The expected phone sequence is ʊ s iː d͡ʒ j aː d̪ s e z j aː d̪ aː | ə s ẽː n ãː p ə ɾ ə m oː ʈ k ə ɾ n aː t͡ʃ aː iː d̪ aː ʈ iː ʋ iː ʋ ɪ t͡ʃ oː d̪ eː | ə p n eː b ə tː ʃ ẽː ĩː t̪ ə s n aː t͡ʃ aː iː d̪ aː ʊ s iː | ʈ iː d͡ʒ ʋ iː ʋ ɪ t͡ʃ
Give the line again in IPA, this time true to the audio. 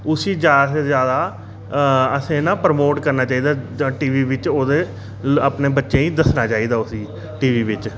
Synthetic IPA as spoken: ʊ s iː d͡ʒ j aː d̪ s e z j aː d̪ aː | ə s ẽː n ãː p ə ɾ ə m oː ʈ k ə ɾ n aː t͡ʃ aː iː d̪ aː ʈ iː ʋ iː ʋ ɪ t͡ʃ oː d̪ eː | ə p n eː b ə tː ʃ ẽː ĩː d̪ ə s n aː t͡ʃ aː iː d̪ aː ʊ s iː | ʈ iː ʋ iː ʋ ɪ t͡ʃ